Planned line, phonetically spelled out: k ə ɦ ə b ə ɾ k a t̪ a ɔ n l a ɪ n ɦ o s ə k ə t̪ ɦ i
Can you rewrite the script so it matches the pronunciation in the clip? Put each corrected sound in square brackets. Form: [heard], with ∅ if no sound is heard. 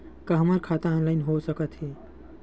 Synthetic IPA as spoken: k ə ɦ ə [m] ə ɾ [kʰ] a t̪ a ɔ n l a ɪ n ɦ o s ə k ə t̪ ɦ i